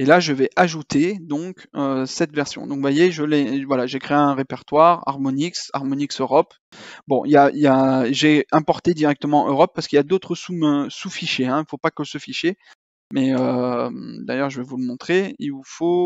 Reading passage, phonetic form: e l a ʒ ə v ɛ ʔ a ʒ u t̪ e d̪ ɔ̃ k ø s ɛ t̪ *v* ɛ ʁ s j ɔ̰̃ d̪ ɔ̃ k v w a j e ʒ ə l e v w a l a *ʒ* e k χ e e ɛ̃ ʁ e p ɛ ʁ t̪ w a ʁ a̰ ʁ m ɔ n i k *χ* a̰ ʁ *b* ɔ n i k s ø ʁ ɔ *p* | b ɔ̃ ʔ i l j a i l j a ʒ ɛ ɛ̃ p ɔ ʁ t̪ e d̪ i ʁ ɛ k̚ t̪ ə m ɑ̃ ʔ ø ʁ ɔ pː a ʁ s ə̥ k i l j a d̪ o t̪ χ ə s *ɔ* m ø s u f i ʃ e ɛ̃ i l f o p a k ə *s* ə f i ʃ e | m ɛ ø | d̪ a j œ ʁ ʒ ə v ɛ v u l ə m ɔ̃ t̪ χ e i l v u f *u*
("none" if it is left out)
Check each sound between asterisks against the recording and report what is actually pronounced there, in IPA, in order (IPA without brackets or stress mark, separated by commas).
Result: v, ʒ, s, m, p, u, s, o